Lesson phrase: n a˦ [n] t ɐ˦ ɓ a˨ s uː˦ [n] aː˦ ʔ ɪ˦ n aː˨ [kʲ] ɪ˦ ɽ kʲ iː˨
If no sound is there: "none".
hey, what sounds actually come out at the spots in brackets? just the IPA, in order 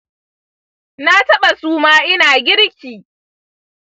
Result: none, m, ɡʲ

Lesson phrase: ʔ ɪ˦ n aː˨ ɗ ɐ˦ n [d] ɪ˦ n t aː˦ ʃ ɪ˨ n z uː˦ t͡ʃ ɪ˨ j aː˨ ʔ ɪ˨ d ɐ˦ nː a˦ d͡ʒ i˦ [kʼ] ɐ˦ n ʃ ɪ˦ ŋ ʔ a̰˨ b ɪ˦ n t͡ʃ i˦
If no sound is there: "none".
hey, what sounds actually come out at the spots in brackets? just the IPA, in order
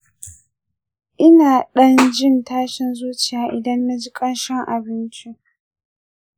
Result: d͡ʒ, kʼ

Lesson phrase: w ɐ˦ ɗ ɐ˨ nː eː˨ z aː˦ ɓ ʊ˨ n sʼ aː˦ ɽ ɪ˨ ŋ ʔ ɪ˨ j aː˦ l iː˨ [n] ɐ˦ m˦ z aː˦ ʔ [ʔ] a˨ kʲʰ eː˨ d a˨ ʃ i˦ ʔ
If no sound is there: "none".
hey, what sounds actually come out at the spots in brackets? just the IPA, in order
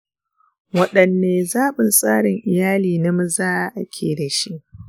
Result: n, ʔ

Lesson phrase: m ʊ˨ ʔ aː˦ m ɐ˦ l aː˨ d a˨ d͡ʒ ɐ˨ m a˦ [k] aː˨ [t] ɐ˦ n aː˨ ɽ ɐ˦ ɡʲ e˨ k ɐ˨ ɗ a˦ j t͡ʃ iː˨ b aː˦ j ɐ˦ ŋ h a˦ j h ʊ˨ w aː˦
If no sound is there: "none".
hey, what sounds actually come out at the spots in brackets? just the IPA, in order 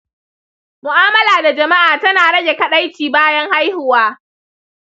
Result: ʔ, t

